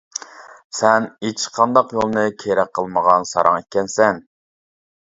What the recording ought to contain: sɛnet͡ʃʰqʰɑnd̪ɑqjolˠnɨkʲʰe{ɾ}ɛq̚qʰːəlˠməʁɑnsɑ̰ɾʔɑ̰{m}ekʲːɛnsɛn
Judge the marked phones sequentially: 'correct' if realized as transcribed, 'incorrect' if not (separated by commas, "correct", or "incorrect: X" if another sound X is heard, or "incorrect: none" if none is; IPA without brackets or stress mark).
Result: correct, incorrect: ŋ